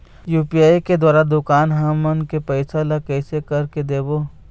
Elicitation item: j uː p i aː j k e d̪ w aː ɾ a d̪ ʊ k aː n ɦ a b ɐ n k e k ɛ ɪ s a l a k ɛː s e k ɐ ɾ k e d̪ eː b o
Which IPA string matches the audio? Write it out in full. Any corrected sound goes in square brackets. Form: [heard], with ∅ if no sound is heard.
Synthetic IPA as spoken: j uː p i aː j k e d̪ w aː ɾ a d̪ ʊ k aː n ɦ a [m] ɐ n k e [p] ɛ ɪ s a l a k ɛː s e k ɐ ɾ k e d̪ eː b o

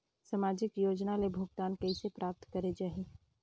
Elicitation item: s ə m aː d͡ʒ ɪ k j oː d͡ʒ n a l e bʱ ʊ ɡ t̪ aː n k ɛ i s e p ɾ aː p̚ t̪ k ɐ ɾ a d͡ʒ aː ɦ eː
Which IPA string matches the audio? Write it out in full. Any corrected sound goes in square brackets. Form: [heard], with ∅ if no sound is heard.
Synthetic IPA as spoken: s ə m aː d͡ʒ ɪ k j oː d͡ʒ n a l e bʱ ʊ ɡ t̪ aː n k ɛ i s e p ɾ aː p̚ t̪ k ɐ ɾ [e] d͡ʒ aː ɦ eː

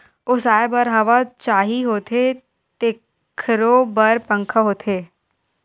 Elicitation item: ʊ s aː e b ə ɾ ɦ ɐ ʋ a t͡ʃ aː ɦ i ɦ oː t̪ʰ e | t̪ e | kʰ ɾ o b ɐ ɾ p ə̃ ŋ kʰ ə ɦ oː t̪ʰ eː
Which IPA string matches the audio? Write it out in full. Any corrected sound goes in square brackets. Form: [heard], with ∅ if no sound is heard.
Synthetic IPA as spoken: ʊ s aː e b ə ɾ ɦ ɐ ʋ a t͡ʃ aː ɦ i ɦ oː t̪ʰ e | t̪ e | kʰ ɾ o b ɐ ɾ p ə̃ ŋ kʰ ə ɦ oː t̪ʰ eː

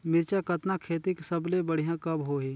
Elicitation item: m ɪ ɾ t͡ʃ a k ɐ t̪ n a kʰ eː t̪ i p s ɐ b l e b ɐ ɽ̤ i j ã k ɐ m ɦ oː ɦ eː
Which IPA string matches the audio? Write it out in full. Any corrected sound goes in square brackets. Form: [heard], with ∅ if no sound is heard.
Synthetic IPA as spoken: m ɪ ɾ t͡ʃ a k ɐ t̪ n a kʰ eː t̪ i [k] s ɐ b l e b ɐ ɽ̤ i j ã k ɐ [b] ɦ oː ɦ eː

